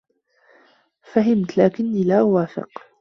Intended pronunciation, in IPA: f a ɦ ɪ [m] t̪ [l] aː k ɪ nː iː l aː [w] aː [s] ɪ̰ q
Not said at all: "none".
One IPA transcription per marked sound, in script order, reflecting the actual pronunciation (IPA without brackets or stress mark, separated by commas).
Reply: m, l, w, f